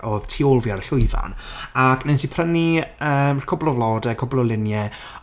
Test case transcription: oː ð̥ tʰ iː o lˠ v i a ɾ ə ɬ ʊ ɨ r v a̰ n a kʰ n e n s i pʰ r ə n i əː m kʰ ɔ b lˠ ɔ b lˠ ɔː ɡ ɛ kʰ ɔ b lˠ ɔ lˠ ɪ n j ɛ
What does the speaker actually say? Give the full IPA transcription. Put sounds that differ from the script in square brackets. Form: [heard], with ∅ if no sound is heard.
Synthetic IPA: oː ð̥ tʰ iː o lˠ v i a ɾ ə ɬ ʊ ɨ [∅] v a̰ n a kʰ n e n s i pʰ r ə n i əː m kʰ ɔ b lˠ ɔ [v] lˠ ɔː [d] ɛ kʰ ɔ b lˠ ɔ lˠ ɪ n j ɛ